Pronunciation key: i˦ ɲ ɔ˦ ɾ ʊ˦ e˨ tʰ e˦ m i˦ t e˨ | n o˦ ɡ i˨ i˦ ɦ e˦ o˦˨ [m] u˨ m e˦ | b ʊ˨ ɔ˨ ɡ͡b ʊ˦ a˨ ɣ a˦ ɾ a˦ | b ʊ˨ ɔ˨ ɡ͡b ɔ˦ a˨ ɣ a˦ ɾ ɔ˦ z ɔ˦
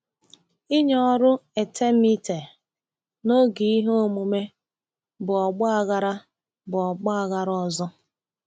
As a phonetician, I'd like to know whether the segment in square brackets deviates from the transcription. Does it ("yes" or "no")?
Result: no